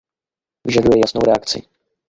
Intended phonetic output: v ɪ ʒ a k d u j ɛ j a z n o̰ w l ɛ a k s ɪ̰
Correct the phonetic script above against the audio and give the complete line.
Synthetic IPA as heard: v ɪ ʒ a d u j ɛ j a s n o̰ w ɾ ɛ a k t͡s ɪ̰